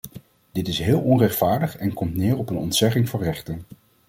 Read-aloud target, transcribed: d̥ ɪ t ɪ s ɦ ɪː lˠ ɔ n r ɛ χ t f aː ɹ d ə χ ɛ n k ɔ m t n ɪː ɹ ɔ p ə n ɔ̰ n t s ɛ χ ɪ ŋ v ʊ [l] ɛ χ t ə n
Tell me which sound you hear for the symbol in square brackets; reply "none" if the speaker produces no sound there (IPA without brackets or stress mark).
r